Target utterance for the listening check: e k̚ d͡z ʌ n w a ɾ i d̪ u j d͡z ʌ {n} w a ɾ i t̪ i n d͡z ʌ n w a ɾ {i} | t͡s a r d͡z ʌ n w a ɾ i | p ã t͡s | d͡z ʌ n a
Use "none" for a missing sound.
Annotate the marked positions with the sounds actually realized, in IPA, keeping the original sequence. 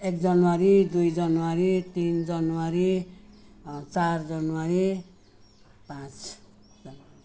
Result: n, i

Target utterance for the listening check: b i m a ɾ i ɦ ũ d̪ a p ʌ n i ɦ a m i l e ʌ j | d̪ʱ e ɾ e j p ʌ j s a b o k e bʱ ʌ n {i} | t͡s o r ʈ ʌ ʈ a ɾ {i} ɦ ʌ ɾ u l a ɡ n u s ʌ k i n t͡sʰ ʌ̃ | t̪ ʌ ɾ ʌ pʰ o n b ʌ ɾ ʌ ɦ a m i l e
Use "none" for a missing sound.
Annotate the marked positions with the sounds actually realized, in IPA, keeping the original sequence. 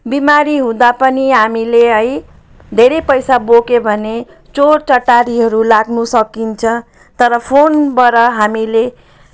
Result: e, i

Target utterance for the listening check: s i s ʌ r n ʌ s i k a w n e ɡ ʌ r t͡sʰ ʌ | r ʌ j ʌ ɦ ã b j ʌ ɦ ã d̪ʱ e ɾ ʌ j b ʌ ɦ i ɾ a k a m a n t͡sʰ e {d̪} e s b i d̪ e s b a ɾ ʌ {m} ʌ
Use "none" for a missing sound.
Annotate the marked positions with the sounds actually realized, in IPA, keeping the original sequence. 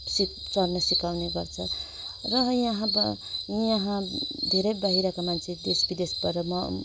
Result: d̪, m

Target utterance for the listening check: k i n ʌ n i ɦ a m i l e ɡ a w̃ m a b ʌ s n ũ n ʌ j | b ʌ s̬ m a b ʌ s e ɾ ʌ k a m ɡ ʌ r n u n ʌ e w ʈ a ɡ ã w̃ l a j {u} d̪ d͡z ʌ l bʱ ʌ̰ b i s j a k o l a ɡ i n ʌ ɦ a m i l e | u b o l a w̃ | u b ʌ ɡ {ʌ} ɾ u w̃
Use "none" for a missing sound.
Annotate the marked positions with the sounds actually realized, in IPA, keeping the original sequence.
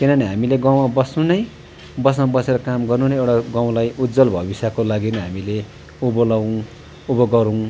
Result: u, ʌ

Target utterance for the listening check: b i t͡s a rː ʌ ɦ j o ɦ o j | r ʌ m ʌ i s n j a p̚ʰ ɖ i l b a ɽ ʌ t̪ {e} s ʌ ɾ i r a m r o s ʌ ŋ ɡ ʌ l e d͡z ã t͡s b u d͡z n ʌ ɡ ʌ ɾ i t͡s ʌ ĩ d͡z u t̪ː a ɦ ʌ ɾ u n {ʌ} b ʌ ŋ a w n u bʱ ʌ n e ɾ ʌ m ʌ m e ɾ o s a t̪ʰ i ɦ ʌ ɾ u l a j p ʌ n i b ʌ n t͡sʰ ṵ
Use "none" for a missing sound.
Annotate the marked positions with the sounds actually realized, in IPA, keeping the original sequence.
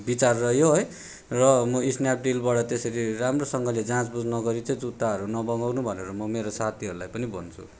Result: e, ʌ

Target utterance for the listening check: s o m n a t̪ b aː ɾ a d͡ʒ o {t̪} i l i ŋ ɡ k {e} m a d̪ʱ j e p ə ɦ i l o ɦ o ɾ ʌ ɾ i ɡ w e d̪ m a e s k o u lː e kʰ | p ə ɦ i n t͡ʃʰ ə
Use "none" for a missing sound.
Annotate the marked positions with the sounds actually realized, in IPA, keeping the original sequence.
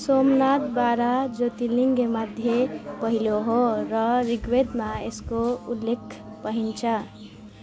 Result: t̪, e

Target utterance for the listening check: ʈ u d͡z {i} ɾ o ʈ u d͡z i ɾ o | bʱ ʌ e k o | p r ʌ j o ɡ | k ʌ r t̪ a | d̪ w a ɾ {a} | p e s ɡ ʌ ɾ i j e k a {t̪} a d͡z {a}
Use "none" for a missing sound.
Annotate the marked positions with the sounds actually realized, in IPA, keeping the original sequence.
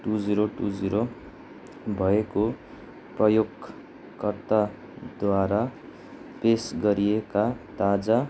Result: i, a, t̪, a

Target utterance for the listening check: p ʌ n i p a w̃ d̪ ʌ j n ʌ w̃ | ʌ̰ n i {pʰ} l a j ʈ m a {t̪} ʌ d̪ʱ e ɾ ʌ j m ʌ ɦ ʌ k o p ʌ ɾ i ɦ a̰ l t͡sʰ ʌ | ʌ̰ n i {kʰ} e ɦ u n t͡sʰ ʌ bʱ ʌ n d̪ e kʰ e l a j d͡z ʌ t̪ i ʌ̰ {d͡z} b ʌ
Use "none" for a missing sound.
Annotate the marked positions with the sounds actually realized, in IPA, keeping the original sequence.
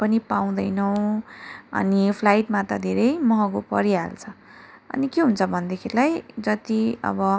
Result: pʰ, t̪, k, none

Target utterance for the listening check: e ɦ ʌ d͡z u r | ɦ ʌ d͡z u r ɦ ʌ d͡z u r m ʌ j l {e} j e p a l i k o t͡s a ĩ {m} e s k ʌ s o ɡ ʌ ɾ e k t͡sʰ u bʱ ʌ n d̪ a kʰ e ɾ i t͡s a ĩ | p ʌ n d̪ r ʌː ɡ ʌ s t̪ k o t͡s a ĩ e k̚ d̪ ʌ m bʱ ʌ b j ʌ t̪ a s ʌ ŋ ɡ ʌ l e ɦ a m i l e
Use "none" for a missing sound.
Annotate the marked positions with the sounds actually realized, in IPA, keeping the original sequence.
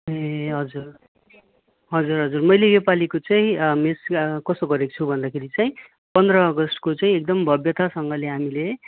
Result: e, m

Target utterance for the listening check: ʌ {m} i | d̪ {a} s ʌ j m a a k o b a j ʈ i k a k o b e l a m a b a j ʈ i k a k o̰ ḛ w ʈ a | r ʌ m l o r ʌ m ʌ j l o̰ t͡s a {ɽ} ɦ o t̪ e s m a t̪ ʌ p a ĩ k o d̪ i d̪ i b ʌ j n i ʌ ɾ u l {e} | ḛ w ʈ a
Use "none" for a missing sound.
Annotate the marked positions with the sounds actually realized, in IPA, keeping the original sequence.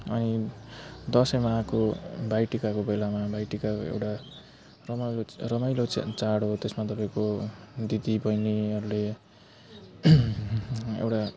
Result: n, ʌ, ɽ, e

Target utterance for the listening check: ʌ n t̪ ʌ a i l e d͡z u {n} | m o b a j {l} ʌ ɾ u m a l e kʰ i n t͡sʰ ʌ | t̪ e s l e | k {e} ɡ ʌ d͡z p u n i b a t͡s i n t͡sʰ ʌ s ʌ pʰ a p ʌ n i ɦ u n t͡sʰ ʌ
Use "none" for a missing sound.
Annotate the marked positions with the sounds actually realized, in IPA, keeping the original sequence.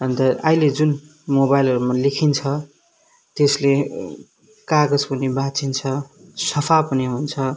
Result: n, l, a

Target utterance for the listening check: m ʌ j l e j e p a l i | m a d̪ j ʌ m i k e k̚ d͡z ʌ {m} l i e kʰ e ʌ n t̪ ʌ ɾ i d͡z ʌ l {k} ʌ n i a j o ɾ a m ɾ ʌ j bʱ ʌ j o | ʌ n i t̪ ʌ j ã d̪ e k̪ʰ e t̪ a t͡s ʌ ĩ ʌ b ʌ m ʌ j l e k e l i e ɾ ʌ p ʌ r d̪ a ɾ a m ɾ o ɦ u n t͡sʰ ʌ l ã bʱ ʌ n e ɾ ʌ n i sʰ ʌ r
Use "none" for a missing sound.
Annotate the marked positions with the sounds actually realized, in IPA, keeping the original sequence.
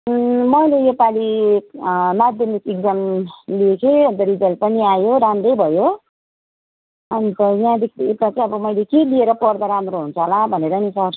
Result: m, p

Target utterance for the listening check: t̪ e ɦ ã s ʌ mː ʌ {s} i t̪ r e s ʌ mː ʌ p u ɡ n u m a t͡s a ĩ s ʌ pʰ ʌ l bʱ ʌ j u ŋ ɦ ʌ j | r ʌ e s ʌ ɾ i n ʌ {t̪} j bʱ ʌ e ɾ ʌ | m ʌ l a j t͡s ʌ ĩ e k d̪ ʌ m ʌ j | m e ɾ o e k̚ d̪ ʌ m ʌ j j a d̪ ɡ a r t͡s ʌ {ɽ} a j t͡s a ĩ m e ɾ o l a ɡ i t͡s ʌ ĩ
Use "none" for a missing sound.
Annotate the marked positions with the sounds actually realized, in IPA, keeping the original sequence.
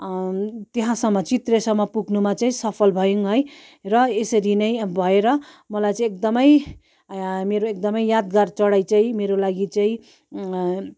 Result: t͡s, none, ɽ

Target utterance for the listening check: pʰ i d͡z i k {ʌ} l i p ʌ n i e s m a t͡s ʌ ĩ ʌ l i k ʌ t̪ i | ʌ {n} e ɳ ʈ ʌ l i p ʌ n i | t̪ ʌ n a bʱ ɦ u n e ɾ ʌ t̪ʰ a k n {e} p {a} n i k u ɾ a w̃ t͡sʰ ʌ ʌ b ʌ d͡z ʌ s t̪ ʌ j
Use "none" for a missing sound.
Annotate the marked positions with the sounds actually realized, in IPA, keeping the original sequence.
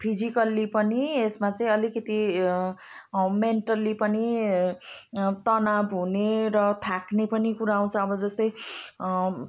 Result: ʌ, m, e, ʌ

